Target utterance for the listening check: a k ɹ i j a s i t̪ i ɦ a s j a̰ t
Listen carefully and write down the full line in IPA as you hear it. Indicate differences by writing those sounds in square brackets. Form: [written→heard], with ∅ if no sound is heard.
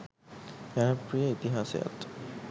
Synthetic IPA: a [k→p] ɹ i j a [s→∅] i t̪ i ɦ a s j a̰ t